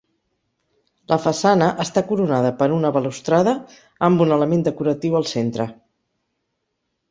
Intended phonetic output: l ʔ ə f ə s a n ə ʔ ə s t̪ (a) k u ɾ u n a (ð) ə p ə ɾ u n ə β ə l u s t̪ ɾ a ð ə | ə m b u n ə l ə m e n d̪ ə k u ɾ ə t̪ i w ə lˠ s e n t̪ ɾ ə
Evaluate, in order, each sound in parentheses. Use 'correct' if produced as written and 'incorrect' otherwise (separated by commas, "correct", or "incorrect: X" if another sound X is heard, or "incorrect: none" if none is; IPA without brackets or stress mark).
correct, correct